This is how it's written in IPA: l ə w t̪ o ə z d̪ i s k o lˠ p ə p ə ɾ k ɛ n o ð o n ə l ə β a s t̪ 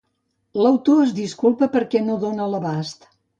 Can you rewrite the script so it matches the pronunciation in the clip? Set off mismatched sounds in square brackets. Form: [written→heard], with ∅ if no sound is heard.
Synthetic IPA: l ə w t̪ o ə z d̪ i s k [o→u] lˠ p ə p ə ɾ k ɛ n o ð o n ə l ə β a s t̪